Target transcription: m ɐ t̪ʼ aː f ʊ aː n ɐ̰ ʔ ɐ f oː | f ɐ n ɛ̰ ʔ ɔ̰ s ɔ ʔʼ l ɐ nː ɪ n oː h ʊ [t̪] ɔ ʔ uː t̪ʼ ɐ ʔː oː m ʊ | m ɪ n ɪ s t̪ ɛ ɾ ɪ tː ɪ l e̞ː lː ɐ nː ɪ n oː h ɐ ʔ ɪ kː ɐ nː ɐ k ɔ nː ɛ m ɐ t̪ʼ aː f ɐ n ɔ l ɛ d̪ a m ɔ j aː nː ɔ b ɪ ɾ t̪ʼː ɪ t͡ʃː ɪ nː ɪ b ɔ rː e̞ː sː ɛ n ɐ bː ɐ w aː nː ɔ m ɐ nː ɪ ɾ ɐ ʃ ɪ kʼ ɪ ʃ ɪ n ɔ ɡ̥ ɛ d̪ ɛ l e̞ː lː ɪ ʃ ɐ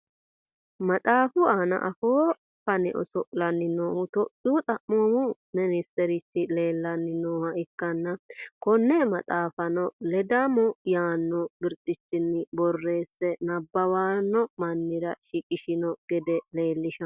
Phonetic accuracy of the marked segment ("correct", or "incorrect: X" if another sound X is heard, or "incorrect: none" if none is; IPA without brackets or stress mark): correct